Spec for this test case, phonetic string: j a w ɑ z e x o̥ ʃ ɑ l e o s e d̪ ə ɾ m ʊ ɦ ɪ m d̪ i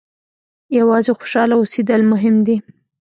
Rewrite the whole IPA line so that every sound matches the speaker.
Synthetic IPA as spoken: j a w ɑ z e x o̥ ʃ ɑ l a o s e d̪ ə l m ʊ ɦ ɪ m d̪ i